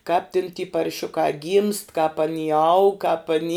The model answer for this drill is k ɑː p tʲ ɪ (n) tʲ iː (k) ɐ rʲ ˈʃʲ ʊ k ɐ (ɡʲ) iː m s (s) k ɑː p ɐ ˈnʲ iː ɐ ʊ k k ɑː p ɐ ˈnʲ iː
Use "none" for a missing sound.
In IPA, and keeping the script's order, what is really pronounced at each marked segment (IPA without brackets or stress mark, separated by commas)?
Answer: n, p, ɡʲ, t